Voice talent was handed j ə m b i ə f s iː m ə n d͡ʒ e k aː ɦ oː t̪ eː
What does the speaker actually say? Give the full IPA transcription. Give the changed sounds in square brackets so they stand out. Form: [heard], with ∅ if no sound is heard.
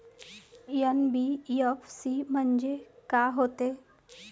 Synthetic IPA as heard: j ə [n] b i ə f s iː m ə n d͡ʒ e k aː ɦ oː t̪ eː